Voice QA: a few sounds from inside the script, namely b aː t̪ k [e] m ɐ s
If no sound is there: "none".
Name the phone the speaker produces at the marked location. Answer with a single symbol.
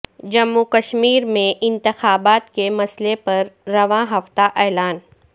e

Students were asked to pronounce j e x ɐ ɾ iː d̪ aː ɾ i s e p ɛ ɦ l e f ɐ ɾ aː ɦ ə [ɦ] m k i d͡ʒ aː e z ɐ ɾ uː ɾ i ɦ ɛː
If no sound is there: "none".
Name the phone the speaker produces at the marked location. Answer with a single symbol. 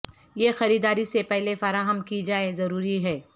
none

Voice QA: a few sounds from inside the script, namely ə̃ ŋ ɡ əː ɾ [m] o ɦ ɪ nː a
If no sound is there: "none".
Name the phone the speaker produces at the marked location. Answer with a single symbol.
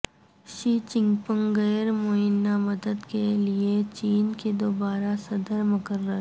m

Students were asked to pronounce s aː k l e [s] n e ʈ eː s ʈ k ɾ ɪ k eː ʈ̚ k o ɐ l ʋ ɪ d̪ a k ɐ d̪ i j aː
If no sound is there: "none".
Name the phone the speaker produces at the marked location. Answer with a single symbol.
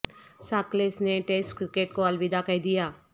s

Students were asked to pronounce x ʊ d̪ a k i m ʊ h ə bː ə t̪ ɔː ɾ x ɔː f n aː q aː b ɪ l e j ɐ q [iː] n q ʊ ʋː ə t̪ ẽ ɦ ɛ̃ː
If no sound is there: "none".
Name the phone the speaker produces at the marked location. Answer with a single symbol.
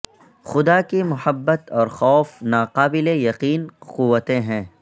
iː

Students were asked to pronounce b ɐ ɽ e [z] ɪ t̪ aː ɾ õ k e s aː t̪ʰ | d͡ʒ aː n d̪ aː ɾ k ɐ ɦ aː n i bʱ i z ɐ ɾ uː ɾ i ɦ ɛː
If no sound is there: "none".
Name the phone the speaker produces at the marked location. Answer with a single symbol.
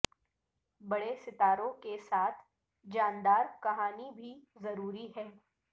s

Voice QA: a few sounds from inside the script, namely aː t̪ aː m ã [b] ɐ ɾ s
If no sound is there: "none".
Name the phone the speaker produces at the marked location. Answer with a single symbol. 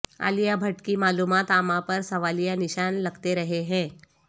p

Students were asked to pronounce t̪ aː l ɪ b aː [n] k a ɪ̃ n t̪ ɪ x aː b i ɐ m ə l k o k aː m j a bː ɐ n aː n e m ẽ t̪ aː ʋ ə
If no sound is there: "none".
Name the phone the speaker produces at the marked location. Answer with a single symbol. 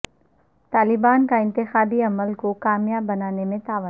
n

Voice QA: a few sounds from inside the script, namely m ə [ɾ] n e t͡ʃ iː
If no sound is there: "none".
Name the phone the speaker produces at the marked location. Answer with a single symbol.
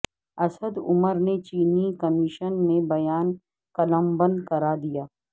ɾ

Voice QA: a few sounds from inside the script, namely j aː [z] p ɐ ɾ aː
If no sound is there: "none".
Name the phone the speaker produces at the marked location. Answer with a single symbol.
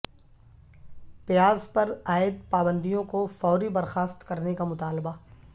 z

